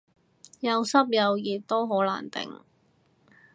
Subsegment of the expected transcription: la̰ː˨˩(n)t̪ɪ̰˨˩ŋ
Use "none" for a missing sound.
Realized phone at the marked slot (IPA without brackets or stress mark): n